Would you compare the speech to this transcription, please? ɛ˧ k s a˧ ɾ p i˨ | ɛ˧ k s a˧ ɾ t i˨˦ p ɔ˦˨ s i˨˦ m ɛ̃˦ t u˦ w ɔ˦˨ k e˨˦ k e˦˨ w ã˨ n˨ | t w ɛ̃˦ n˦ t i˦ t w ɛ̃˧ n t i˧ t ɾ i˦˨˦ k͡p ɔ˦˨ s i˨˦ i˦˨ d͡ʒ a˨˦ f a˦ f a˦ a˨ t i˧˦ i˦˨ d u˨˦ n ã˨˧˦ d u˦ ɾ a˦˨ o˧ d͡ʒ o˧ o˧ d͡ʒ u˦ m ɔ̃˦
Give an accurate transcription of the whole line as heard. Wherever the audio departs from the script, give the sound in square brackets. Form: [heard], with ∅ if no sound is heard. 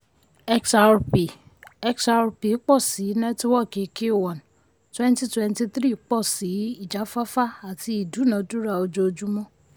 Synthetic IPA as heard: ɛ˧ k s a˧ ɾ p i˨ | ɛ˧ k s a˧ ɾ [p] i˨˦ [k͡p] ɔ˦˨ s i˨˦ [n] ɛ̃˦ t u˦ w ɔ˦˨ k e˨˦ k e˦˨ w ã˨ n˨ | t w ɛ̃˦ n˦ t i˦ t w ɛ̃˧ n t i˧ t ɾ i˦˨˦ k͡p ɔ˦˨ s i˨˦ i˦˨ d͡ʒ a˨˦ f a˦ f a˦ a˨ t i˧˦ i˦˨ d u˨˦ n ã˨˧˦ d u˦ ɾ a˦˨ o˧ d͡ʒ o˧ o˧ d͡ʒ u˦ m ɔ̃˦